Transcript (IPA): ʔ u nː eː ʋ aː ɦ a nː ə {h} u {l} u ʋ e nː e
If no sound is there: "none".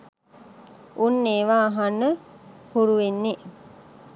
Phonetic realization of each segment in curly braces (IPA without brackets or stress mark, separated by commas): h, ɾ